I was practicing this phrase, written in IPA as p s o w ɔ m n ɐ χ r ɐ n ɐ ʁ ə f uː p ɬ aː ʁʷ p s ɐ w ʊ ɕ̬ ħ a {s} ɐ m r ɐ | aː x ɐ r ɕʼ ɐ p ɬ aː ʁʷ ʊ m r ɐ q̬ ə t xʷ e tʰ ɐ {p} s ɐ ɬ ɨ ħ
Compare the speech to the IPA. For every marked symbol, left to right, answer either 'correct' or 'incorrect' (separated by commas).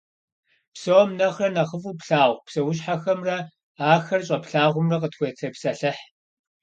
incorrect, correct